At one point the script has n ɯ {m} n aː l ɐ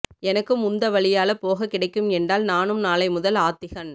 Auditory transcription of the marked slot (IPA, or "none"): m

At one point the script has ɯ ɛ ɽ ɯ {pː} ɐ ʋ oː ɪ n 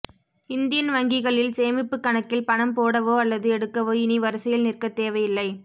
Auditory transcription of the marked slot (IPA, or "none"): kː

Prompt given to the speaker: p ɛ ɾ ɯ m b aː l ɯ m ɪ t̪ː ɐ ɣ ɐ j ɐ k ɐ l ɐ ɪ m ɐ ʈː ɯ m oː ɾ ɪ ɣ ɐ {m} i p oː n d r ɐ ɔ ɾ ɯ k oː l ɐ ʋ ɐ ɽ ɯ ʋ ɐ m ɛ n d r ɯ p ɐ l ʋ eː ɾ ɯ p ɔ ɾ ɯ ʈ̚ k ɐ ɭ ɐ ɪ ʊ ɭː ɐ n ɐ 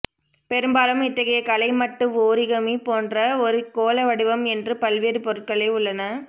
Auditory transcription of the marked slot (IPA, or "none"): m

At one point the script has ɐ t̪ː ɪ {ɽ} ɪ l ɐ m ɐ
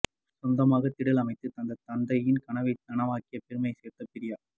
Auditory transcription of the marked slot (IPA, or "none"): ɽ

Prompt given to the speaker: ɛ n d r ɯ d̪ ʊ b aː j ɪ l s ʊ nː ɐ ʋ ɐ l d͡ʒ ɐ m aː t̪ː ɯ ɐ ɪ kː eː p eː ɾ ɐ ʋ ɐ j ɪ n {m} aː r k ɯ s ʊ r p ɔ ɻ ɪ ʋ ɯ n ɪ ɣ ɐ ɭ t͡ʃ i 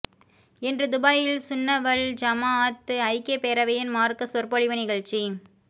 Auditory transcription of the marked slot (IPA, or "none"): m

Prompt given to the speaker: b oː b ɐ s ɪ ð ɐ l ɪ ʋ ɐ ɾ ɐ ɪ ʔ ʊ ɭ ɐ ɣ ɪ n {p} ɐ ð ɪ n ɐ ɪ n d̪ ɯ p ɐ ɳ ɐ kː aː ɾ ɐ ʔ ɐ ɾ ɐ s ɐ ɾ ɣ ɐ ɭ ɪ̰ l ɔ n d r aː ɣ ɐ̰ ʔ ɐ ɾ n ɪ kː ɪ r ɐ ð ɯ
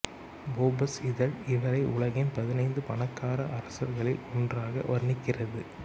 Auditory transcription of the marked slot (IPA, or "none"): p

